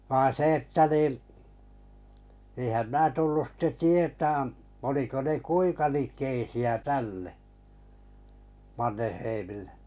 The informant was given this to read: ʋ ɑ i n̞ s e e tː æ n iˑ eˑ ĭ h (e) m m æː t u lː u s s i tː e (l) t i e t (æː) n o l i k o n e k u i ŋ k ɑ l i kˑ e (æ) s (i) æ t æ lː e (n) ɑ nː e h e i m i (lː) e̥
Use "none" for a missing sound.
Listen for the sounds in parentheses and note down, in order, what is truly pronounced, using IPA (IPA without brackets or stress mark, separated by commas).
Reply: æ, none, æː, i, i, m, lː